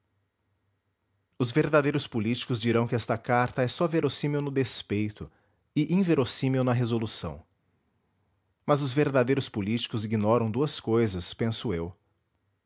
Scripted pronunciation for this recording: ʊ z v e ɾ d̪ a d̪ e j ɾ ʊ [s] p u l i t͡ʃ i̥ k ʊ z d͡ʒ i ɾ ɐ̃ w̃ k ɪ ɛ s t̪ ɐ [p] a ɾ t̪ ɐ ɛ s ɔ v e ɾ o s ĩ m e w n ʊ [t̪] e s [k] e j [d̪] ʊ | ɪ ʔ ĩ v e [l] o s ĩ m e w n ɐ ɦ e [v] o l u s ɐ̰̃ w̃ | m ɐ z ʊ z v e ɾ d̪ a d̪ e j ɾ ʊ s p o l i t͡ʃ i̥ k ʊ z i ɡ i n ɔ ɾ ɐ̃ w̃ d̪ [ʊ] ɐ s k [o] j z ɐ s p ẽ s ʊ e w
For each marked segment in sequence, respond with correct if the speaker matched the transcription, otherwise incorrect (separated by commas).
correct, incorrect, incorrect, incorrect, incorrect, incorrect, incorrect, incorrect, correct